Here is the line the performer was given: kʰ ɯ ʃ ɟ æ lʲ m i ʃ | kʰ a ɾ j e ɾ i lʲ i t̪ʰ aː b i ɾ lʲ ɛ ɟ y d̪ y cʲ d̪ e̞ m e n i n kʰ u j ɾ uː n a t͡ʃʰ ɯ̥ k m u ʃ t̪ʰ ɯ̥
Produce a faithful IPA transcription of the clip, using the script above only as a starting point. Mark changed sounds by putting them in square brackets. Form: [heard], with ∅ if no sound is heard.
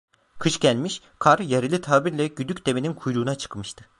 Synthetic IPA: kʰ ɯ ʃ ɟ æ lʲ m i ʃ | kʰ a ɾ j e ɾ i lʲ i t̪ʰ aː b i ɾ lʲ ɛ ɟ y d̪ y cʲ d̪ e̞ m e n i n kʰ u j ɾ uː n a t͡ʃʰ ɯ̥ k m [ɯ] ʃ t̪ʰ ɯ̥